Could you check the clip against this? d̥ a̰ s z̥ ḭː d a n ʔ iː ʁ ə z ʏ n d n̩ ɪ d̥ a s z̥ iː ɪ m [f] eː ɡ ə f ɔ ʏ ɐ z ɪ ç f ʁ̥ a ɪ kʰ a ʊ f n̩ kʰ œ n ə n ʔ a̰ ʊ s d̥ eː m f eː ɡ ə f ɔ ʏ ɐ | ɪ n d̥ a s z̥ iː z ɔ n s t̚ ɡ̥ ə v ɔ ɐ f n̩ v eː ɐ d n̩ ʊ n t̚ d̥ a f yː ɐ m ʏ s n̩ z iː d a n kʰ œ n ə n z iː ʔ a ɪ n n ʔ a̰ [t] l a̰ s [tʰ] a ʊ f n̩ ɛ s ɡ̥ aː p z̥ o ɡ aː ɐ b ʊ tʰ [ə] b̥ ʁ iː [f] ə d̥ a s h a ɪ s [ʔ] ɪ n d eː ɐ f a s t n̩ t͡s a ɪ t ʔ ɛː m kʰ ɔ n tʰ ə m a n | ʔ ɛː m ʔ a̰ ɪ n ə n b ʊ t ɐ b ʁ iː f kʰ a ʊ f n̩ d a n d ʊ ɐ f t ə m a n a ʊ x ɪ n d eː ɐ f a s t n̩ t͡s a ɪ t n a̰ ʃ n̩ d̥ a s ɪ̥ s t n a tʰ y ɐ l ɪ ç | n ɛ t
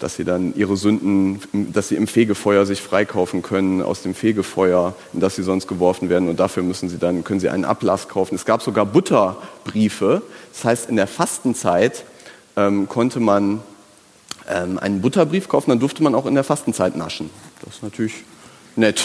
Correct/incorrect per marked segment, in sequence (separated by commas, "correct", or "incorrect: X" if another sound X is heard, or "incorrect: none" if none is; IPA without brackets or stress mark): correct, incorrect: p, incorrect: kʰ, incorrect: ɐ, correct, incorrect: t